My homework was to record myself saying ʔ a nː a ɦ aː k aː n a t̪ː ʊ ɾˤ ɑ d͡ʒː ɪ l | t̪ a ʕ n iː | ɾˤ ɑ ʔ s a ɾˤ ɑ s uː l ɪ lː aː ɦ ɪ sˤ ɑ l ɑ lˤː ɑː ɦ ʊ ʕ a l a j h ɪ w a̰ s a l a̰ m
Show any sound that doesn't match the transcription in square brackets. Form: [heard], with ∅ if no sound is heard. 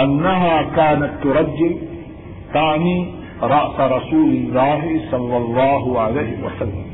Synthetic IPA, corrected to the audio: ʔ a nː a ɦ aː k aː n a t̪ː ʊ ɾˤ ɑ d͡ʒː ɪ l | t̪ a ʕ n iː | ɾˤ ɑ ʔ s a ɾˤ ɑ s uː l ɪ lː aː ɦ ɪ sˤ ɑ [lː] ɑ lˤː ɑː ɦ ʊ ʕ a l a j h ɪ w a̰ s a [lː] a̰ m